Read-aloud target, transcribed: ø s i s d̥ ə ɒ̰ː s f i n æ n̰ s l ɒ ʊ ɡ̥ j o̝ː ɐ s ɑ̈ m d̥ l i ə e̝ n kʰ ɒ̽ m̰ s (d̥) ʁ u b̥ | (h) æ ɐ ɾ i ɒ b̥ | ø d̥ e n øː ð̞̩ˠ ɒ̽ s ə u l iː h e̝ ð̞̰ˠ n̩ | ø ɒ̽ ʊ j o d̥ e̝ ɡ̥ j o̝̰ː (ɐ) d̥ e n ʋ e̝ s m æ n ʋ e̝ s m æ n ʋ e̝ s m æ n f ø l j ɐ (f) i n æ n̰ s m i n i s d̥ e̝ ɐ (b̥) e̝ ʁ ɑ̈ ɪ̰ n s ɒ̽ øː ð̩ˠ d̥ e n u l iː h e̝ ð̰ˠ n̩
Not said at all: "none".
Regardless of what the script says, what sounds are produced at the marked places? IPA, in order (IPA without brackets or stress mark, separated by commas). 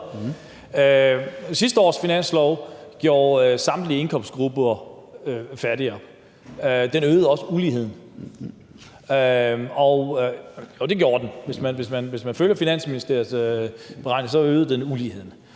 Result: ɡ̥, f, ɐ, f, b̥